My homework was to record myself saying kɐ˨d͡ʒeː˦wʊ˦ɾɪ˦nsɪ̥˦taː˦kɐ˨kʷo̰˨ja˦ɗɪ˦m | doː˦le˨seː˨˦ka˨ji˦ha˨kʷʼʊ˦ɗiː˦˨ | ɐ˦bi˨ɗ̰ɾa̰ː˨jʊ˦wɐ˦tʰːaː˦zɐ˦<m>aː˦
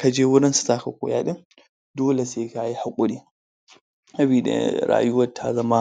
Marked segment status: correct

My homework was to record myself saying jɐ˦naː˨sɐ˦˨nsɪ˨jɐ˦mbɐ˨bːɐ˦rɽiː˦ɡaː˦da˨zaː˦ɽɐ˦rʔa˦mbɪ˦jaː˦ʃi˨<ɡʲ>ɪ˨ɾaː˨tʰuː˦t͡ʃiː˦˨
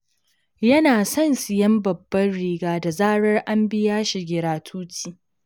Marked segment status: correct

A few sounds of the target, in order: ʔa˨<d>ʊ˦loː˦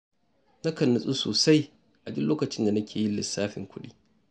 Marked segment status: correct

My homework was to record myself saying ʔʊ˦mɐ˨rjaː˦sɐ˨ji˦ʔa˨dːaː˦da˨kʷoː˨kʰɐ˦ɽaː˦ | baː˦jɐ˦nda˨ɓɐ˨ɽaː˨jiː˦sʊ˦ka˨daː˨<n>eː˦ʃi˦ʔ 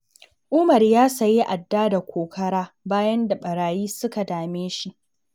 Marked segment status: incorrect: m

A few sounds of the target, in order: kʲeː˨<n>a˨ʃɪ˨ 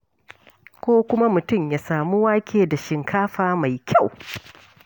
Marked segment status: incorrect: d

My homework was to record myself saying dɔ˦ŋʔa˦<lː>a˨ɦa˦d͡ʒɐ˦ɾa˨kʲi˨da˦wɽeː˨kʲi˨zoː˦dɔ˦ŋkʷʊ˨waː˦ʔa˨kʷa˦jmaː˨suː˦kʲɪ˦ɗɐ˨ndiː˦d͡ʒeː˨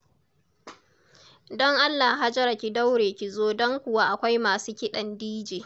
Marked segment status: correct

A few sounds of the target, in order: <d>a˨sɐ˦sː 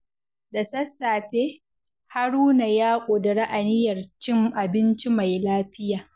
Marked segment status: correct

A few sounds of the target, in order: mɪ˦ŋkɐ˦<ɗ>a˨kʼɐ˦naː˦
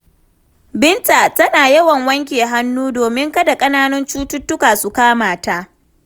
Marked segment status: incorrect: d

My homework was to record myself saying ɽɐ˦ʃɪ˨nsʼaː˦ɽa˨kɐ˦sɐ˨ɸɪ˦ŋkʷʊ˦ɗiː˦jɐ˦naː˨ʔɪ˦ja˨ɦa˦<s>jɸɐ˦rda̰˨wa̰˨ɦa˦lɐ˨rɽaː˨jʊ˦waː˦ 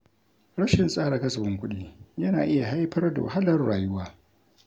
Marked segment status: incorrect: none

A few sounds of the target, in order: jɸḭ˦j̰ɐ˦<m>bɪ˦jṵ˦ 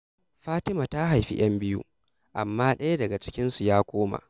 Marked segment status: correct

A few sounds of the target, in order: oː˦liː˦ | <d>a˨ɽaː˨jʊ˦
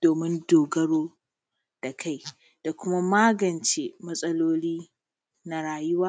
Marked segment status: incorrect: n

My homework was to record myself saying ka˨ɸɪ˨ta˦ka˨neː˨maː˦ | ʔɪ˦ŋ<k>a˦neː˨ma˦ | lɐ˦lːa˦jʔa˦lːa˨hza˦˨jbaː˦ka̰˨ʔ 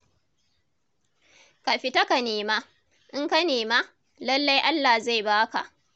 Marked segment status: correct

